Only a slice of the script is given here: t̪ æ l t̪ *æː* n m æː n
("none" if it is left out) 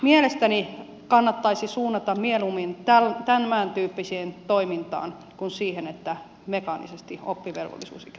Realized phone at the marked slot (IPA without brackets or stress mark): æ